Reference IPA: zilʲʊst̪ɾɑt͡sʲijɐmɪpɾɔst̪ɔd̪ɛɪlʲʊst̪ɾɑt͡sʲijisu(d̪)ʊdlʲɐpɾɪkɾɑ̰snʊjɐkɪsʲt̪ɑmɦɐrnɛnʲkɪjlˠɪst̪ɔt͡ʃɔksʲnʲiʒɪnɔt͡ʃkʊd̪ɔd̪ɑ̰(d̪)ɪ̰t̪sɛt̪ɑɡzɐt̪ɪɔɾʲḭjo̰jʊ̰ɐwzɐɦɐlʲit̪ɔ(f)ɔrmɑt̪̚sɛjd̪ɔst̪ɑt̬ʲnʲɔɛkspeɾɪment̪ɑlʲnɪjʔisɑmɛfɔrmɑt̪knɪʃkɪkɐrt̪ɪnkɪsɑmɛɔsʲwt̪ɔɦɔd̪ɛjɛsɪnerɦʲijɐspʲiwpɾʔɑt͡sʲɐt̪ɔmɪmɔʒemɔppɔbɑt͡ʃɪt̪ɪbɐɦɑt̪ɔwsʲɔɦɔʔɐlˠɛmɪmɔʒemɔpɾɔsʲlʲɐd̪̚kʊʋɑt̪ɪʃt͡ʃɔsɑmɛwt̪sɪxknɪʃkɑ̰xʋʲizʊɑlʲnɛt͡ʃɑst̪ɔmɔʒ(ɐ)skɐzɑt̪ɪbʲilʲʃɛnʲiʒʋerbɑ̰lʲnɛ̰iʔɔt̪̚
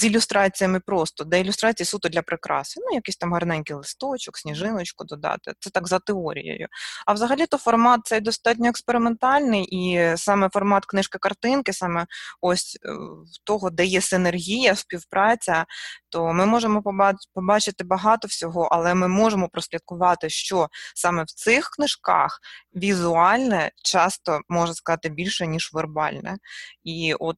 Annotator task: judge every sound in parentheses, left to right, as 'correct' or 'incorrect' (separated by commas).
incorrect, incorrect, correct, correct